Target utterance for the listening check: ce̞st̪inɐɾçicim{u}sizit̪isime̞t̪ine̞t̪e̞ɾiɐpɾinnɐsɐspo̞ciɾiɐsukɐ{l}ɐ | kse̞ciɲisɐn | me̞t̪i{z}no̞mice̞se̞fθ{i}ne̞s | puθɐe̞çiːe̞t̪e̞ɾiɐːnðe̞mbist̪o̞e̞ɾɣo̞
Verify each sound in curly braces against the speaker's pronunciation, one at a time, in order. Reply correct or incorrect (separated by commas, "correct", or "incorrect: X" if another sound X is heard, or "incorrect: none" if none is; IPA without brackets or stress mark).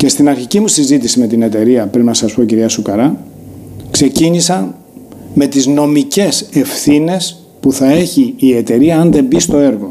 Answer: correct, incorrect: ɾ, correct, correct